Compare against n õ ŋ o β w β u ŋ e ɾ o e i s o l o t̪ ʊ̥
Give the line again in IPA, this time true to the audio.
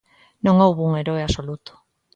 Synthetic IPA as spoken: n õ ŋ o w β u ŋ e ɾ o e a s o l u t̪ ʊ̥